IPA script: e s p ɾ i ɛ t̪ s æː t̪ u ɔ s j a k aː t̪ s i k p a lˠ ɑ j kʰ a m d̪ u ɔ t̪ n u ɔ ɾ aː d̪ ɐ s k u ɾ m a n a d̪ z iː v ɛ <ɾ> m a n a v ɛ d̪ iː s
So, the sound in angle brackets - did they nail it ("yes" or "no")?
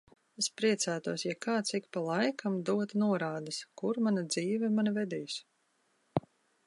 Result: no